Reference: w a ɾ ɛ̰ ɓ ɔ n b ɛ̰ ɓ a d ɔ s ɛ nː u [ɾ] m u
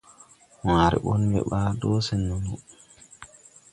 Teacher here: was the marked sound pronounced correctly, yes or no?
no